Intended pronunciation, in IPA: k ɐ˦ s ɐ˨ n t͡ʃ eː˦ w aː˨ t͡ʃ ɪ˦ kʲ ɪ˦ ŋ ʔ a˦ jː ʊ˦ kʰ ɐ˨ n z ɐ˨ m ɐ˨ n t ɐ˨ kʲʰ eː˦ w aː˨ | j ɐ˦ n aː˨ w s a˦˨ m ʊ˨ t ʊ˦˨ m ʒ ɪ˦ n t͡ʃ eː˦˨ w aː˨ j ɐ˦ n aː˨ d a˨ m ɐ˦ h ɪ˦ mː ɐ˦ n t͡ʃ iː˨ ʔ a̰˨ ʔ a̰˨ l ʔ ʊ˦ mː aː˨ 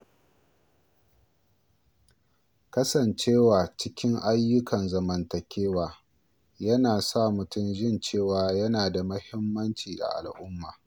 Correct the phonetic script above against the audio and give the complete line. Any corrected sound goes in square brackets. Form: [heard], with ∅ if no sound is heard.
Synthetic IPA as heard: k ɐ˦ s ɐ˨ n t͡ʃ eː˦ w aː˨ t͡ʃ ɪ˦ kʲ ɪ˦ ŋ ʔ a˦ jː ʊ˦ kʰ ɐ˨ n z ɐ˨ m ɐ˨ n t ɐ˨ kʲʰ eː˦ w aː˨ | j ɐ˦ n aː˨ [∅] s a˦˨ m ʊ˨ t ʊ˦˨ m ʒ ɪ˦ n t͡ʃ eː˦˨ w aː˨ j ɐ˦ n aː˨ d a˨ m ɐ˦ h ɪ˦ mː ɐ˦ n t͡ʃ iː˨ ʔ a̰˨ ʔ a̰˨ l ʔ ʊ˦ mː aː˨